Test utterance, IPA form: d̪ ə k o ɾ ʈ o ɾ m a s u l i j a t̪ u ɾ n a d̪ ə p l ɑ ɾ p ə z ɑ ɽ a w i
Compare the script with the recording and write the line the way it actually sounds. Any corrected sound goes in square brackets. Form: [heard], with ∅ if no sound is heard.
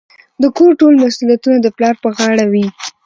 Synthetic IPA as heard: d̪ ə k o ɾ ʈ o [l] m a s u l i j a t̪ u [∅] n a d̪ ə p l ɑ ɾ p ə [ɣ] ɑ ɽ a w i